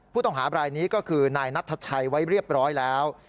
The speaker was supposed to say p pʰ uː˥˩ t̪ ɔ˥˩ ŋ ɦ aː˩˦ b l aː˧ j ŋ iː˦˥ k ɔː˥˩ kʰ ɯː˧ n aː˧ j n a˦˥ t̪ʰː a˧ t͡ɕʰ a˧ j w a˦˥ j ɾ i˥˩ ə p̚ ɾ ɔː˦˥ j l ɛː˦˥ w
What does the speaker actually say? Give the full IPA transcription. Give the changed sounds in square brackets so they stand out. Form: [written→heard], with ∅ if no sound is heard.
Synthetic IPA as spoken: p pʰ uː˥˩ t̪ ɔ˥˩ ŋ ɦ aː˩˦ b [l→ɾ] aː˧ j [ŋ→n] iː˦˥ k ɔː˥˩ kʰ ɯː˧ n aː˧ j n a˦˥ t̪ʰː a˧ t͡ɕʰ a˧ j w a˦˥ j ɾ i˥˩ ə p̚ ɾ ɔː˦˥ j l ɛː˦˥ w